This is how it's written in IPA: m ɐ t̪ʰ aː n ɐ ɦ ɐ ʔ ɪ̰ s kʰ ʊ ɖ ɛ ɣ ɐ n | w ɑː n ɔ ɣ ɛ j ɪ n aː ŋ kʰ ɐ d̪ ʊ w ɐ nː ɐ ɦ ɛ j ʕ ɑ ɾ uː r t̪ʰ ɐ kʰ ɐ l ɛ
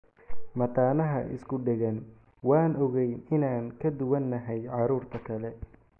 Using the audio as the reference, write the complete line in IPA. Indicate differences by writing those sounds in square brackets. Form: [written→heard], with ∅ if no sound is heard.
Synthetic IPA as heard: m ɐ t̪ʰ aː n ɐ ɦ ɐ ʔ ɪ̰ s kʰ ʊ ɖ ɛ ɣ ɐ n | w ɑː n ɔ ɣ ɛ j ɪ n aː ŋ kʰ ɐ d̪ ʊ w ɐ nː ɐ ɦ ɛ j ʕ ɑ ɾ uː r t̪ʰ ɐ kʰ ɐ l ɛ

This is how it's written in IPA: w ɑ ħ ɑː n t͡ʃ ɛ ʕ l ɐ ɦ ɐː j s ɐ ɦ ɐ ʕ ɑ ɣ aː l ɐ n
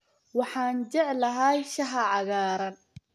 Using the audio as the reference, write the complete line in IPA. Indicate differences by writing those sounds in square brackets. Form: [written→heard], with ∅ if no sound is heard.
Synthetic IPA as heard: w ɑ ħ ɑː n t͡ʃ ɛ ʕ l ɐ ɦ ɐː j [s→ʃ] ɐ ɦ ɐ ʕ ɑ ɣ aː [l→ɾ] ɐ n

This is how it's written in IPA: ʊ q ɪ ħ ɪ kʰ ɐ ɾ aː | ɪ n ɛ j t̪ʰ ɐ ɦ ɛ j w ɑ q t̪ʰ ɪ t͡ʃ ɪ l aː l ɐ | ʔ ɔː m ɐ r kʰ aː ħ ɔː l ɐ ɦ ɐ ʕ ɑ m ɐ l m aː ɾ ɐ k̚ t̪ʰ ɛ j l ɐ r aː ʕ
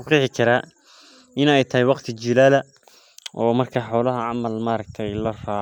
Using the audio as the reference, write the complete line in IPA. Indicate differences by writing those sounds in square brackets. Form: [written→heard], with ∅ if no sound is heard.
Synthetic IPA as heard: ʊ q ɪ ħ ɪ kʰ ɐ ɾ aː | ɪ n ɛ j t̪ʰ ɐ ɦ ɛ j w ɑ q t̪ʰ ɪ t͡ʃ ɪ l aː l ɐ | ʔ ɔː m ɐ r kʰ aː ħ ɔː l ɐ ɦ ɐ ʕ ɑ m ɐ l m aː ɾ ɐ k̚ t̪ʰ ɛ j l ɐ r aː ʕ

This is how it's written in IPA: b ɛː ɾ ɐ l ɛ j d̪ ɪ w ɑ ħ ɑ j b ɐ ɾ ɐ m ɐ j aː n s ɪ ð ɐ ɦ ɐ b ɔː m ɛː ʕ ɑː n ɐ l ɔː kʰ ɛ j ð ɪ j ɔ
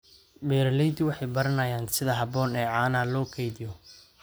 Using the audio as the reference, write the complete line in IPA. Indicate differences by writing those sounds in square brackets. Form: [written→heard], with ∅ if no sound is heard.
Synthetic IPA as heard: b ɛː ɾ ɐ l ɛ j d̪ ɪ w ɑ ħ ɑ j b ɐ ɾ ɐ [m→n] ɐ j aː n s ɪ ð ɐ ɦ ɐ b ɔː [m→n] ɛː ʕ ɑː n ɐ l ɔː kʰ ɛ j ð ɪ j ɔ

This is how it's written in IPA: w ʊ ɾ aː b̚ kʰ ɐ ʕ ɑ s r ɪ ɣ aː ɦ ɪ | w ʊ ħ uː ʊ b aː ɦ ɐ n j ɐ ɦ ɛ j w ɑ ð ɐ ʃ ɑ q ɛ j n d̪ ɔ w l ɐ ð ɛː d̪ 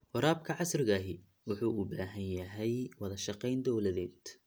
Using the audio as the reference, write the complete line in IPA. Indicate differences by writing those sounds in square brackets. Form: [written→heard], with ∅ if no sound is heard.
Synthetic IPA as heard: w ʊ ɾ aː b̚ kʰ ɐ ʕ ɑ s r ɪ ɣ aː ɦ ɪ | w ʊ ħ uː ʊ b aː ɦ ɐ n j ɐ ɦ ɛ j w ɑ ð ɐ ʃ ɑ q ɛ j n d̪ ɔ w l ɐ ð ɛː d̪

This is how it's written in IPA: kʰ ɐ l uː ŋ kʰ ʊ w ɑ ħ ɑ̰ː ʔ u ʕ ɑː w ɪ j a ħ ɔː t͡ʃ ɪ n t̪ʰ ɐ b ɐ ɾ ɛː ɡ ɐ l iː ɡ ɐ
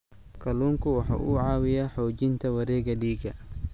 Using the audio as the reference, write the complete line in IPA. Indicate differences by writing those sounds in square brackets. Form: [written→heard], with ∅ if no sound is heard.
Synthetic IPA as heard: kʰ ɐ l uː ŋ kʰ ʊ w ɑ ħ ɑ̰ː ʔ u ʕ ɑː w ɪ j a ħ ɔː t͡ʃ ɪ n t̪ʰ ɐ [b→w] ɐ ɾ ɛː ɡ ɐ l iː ɡ ɐ

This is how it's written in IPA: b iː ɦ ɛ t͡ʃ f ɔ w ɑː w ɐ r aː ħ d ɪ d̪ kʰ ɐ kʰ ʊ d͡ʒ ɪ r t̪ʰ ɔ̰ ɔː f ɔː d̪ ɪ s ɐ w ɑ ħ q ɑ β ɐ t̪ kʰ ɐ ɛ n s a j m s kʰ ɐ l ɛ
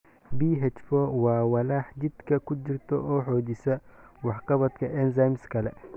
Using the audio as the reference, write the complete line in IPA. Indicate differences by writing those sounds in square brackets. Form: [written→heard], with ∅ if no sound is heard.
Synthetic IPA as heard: b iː ɦ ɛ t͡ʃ f ɔ w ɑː w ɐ [r→l] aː ħ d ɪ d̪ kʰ ɐ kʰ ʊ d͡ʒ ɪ r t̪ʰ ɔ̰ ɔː [f→ħ] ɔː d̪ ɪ s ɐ w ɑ ħ q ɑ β ɐ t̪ kʰ ɐ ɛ n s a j m s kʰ ɐ l ɛ

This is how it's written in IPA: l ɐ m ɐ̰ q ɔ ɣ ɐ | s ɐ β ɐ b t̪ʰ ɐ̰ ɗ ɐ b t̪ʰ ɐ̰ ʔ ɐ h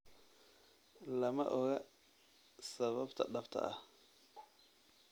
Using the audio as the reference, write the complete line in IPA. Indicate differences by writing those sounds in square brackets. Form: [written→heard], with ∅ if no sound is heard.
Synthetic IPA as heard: l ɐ m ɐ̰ [q→ʔ] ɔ ɣ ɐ | s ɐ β ɐ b t̪ʰ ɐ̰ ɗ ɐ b t̪ʰ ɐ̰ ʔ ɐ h

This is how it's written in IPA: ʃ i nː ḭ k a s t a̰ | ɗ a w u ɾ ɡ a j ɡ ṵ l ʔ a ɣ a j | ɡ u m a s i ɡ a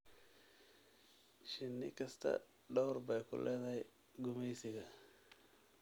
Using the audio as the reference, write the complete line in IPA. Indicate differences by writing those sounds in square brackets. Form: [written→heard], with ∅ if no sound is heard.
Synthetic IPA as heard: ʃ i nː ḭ k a s t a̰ | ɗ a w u ɾ [ɡ→b] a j [ɡ→k] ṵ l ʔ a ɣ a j | ɡ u m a s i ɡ a

